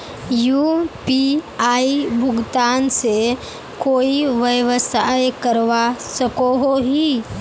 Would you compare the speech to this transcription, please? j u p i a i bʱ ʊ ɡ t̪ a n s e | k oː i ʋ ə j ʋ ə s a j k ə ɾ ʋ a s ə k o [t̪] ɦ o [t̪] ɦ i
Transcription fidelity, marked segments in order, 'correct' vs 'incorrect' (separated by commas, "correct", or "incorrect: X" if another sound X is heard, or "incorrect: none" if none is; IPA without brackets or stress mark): incorrect: none, incorrect: none